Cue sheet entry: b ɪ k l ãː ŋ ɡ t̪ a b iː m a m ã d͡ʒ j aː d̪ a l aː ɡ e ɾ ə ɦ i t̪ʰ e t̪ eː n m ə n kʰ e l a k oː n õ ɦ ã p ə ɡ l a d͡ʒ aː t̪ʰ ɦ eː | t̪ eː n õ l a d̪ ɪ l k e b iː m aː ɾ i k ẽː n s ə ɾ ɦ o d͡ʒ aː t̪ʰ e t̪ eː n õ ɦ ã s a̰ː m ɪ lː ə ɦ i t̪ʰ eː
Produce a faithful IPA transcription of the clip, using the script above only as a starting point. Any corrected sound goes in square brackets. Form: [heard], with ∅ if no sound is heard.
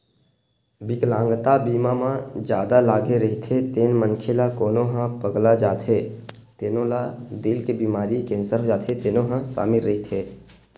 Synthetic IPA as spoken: b ɪ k l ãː ŋ ɡ t̪ a b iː m a m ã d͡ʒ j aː d̪ a l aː ɡ e ɾ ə ɦ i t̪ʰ e t̪ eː n m ə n kʰ e l a k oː n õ ɦ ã p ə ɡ l a d͡ʒ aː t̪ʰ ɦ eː | t̪ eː n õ l a d̪ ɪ l k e b iː m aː ɾ i k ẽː n s ə ɾ ɦ o d͡ʒ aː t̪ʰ e t̪ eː n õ ɦ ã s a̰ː m ɪ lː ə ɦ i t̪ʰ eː